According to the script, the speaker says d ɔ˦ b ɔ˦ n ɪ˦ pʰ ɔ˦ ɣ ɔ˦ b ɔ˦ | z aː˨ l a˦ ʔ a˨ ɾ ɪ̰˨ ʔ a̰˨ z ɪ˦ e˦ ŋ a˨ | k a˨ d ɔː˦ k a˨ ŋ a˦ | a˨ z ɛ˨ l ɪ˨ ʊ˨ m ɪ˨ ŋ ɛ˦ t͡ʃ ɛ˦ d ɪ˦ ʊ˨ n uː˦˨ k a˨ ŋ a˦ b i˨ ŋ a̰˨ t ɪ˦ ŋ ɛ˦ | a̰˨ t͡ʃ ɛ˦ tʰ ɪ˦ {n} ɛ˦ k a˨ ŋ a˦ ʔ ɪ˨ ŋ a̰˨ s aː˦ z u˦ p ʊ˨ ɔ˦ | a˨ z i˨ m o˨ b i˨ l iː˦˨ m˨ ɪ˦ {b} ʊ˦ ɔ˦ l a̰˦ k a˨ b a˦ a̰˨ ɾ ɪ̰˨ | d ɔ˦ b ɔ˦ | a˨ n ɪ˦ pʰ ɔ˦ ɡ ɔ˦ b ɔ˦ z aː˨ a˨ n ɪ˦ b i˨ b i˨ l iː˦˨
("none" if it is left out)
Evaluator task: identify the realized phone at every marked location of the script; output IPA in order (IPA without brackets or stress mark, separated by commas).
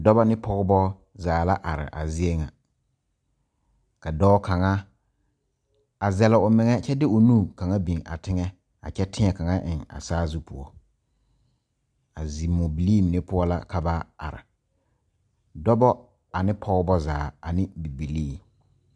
ŋ, p